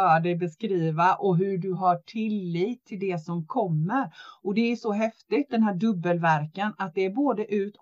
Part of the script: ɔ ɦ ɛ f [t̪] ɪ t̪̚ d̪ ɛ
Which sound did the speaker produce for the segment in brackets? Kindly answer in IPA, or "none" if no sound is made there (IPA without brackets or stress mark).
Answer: t̪